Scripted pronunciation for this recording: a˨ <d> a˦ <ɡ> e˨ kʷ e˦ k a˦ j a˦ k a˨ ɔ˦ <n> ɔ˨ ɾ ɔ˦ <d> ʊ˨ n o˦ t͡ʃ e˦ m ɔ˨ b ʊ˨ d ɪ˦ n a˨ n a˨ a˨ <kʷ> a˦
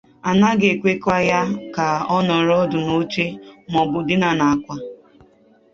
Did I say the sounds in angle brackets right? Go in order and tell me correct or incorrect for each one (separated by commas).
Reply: incorrect, correct, correct, correct, correct